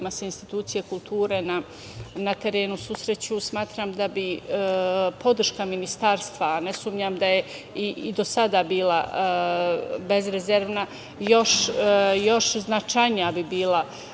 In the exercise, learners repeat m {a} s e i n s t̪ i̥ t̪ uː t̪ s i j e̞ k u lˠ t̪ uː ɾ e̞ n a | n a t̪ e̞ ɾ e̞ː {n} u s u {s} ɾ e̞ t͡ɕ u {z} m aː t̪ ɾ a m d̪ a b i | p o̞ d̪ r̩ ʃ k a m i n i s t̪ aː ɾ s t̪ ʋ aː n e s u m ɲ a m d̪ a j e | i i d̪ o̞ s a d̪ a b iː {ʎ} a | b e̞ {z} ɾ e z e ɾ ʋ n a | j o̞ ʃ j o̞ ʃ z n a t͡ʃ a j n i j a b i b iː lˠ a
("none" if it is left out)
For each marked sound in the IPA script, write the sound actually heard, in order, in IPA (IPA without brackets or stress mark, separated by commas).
a, n, s, s, l, z